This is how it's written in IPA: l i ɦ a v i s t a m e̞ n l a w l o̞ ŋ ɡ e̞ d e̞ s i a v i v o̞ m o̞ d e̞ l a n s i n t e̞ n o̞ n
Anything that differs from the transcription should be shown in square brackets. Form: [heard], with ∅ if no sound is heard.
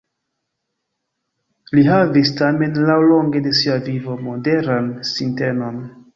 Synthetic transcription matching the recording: l i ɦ a v i s t a m e̞ n l a w l o̞ ŋ ɡ e̞ d e̞ s i a v i v o̞ m o̞ d e̞ [ɾ] a n s i n t e̞ n o̞ n